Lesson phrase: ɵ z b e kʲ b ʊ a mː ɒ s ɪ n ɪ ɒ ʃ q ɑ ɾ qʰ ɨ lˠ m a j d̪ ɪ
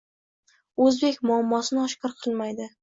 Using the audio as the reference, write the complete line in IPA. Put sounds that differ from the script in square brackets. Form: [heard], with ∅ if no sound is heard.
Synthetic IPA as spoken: ɵ z b e kʲ [m] ʊ a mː ɒ s ɪ n ɪ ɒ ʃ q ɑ ɾ qʰ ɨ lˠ m a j d̪ ɪ